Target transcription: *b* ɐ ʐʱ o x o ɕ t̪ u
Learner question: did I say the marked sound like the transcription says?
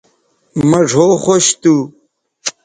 no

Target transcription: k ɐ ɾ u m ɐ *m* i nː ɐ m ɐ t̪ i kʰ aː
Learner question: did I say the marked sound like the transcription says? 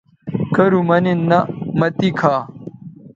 no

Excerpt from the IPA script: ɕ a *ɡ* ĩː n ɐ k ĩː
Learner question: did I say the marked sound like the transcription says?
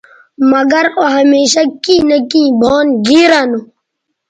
no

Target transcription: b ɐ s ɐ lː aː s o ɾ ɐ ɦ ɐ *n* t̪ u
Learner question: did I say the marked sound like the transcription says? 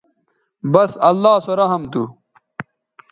no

